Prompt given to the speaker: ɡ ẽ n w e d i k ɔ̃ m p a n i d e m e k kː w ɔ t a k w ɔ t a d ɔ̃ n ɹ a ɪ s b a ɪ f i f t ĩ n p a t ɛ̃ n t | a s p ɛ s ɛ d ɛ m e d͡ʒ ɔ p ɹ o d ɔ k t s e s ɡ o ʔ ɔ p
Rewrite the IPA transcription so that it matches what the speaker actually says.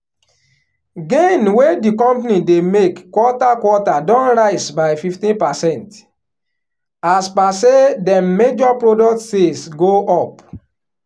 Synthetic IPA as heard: ɡ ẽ n w e d i k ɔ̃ m p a n i d e m e k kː w ɔ t a k w ɔ t a d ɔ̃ n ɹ a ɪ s b a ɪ f i f t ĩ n p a s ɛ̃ n t | a s p a s e d ɛ m e d͡ʒ ɔ p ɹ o d ɔ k t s e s ɡ o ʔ ɔ p